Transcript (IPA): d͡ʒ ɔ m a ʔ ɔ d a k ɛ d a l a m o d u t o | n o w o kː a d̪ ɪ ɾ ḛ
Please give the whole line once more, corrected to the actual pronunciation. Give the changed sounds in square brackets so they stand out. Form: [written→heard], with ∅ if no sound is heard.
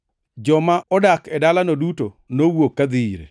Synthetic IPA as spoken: d͡ʒ ɔ m a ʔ ɔ d a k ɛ d a l a [m→n] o d u t o | n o w o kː a d̪ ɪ ɾ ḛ